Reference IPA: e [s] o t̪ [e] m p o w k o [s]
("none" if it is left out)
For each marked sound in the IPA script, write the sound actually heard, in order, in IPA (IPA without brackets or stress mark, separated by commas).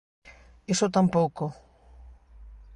s, a, none